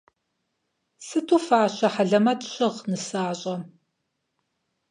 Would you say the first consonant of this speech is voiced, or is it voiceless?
voiceless